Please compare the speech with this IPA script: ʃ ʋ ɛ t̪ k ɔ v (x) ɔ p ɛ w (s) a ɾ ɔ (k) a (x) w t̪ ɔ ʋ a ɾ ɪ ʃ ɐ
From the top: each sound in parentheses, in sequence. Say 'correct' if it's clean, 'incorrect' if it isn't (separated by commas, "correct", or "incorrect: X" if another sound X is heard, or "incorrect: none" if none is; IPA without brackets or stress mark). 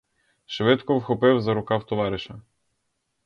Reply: correct, incorrect: z, correct, incorrect: none